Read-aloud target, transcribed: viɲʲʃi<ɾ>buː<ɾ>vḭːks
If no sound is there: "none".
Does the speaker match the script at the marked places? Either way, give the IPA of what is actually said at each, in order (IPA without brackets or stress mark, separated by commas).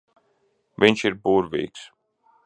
ɾ, ɾ